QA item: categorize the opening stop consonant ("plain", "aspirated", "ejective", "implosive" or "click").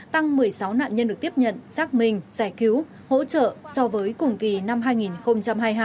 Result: plain